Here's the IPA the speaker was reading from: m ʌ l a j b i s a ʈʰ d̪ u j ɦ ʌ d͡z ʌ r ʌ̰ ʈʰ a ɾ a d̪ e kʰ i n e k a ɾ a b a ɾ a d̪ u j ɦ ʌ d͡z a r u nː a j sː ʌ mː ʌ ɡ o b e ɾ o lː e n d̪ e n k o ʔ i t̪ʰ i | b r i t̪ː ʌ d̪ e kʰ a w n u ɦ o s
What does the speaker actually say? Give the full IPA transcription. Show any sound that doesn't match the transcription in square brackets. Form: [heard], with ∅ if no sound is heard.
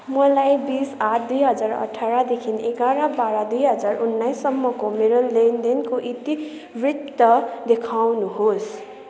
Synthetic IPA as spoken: m ʌ l a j b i s a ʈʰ d̪ u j ɦ ʌ d͡z [a] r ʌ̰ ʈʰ a ɾ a d̪ e kʰ i n e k a ɾ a b a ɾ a d̪ u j ɦ ʌ d͡z a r u nː a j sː ʌ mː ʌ [k] o [m] e ɾ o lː e n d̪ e n k o ʔ i [t̪] i | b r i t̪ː ʌ d̪ e kʰ a w n u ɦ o s